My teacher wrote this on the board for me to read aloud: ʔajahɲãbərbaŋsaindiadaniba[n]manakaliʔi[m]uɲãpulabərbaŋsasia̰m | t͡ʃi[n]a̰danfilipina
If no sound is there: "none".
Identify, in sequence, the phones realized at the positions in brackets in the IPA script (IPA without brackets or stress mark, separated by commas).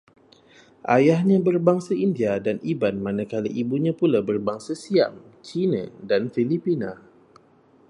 n, b, n